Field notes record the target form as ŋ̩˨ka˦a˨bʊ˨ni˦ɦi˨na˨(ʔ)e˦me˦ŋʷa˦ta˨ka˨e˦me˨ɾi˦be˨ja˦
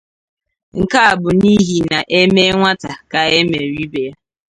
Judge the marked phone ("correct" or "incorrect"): correct